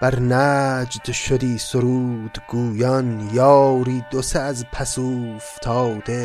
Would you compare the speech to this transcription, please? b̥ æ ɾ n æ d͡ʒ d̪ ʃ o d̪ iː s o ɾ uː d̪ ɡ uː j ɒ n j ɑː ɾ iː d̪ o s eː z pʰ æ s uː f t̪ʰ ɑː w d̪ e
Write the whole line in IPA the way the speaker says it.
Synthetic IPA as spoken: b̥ æ ɾ n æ d͡ʒ d̪ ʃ o d̪ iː s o ɾ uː d̪ ɡ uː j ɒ n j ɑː ɾ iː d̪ o s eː z pʰ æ s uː f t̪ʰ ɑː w d̪ e